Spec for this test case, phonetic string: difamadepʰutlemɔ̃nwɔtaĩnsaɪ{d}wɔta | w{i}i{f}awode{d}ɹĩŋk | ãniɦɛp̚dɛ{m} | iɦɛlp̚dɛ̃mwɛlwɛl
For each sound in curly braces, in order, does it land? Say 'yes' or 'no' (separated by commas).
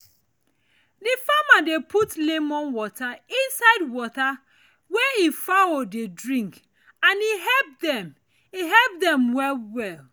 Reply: yes, no, yes, yes, yes